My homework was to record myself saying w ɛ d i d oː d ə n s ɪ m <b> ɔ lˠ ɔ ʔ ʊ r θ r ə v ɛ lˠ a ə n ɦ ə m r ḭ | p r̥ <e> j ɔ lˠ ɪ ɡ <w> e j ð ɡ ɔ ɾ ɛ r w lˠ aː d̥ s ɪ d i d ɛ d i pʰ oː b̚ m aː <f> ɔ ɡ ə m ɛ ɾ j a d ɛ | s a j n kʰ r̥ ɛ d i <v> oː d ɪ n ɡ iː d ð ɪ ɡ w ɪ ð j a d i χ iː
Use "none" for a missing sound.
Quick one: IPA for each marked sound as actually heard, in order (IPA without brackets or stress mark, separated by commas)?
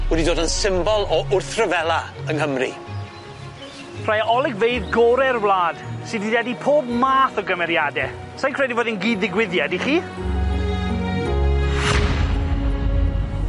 b, a, v, θ, v